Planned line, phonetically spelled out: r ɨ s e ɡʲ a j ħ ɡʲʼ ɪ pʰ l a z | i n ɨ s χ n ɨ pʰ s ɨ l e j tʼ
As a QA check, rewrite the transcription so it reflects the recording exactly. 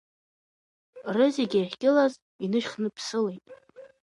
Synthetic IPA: r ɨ z e ɡʲ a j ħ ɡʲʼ ɪ l a z | i n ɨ ʃ χ n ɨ pʰ s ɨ l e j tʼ